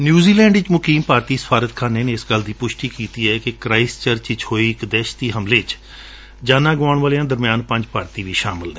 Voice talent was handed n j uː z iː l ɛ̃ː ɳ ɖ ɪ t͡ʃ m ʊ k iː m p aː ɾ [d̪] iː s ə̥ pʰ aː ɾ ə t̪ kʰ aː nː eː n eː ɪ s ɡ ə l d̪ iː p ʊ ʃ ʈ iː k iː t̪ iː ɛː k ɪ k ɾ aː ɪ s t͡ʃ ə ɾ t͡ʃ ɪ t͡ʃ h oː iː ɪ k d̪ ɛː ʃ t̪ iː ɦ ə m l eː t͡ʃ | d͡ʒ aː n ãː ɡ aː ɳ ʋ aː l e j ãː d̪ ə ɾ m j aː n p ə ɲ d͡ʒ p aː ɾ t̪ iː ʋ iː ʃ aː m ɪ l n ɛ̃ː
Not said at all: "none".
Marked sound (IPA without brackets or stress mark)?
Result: t̪